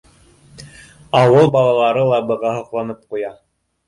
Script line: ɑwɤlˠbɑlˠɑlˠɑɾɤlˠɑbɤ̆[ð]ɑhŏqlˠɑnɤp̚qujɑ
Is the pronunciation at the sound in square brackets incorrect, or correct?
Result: incorrect